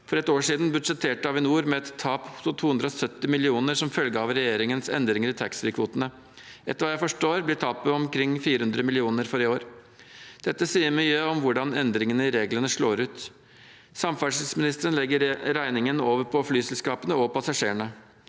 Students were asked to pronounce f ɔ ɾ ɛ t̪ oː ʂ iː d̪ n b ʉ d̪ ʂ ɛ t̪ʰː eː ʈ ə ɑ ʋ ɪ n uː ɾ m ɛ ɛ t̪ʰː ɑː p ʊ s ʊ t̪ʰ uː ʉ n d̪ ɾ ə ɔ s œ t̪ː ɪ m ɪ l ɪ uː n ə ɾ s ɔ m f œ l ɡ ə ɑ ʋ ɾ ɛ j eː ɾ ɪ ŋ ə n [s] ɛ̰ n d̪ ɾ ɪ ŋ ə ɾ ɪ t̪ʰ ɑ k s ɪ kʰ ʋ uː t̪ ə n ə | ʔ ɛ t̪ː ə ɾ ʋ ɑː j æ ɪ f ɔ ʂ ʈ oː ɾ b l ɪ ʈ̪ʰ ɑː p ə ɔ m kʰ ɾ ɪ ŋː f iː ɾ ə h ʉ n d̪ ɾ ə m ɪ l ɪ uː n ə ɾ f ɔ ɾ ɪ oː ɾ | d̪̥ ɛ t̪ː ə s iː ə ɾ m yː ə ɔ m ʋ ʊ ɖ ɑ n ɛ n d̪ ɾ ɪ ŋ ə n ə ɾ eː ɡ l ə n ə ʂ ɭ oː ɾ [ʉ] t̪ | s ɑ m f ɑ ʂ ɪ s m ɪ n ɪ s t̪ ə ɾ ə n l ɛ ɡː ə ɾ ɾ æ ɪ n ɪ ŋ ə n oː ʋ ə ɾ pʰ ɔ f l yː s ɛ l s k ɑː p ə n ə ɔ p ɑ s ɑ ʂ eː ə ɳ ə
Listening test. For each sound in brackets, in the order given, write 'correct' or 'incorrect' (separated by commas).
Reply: correct, incorrect